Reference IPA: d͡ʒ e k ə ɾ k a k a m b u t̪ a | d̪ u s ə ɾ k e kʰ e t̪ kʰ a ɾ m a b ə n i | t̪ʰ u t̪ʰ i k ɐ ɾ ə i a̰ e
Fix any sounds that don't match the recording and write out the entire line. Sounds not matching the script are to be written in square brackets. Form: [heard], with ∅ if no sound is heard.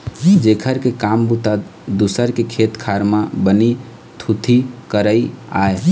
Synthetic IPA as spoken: d͡ʒ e [kʰ] ə ɾ k [e] k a m b u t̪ a | d̪ u s ə ɾ k e kʰ e t̪ kʰ a ɾ m a b ə n i | t̪ʰ u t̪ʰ i k [ə] ɾ ə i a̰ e